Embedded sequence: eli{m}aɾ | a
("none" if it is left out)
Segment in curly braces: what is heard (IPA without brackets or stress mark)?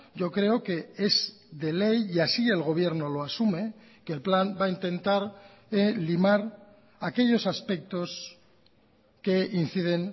m